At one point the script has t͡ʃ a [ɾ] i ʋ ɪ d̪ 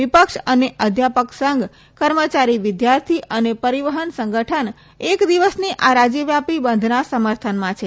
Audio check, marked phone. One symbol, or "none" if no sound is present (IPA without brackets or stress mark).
ɾ